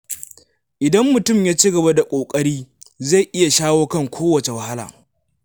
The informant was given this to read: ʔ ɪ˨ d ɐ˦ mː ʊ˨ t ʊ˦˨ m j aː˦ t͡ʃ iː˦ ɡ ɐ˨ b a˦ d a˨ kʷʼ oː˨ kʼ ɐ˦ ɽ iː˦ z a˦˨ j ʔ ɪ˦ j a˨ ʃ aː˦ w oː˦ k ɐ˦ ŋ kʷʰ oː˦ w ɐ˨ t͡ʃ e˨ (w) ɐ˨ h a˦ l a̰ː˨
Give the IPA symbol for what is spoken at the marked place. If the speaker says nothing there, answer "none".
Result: w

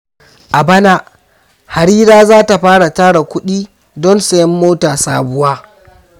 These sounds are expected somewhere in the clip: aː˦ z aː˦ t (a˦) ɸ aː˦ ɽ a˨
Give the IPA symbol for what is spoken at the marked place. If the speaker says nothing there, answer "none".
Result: a˨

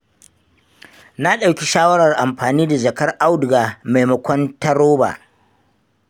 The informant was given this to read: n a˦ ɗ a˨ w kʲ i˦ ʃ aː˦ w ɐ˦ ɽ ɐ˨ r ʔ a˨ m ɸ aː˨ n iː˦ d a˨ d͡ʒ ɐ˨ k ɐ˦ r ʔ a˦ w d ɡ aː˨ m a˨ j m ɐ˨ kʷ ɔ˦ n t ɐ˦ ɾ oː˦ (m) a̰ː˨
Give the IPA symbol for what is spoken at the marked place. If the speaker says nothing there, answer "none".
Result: b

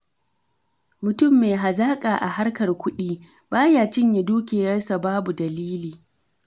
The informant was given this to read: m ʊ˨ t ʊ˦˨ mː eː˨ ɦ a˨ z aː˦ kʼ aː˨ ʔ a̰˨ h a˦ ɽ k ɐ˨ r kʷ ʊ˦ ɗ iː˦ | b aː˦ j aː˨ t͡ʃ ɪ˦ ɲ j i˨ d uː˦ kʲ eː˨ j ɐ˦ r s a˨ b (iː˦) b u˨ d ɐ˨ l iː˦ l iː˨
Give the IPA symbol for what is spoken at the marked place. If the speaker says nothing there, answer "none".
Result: aː˦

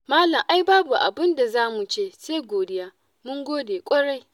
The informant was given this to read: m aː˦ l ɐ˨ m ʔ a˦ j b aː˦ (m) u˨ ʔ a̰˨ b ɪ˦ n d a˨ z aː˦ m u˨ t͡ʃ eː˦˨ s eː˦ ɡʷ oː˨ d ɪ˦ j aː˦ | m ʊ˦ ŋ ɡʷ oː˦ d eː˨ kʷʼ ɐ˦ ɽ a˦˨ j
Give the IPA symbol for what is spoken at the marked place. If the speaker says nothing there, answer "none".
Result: b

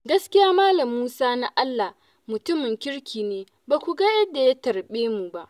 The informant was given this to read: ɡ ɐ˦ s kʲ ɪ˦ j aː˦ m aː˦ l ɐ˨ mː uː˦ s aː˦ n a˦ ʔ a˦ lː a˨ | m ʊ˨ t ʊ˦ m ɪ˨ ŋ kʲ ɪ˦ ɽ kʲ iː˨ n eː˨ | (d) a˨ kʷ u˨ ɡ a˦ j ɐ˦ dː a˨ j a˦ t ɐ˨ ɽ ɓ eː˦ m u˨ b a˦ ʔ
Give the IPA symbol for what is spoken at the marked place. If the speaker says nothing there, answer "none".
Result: b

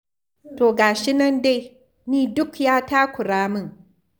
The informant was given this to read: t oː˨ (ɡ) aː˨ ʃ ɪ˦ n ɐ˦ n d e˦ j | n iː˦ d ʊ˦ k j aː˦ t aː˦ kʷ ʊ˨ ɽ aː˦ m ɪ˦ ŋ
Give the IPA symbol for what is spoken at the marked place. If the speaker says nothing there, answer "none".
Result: ɡ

